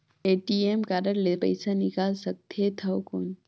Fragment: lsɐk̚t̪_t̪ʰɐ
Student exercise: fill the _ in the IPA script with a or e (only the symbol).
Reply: e